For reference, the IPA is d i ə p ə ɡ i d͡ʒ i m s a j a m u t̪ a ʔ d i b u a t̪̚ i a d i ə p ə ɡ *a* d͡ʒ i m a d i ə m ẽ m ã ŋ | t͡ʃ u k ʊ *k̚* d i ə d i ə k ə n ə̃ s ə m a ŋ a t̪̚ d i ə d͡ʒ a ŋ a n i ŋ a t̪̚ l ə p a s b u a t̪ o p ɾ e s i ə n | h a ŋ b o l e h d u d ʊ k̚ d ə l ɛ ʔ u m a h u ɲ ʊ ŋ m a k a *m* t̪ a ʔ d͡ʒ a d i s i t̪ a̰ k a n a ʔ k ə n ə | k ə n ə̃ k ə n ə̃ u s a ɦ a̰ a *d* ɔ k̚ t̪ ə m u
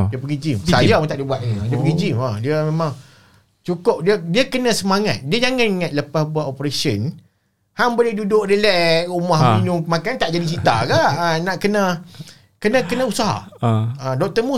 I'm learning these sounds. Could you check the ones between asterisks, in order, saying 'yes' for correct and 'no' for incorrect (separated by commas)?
no, no, no, yes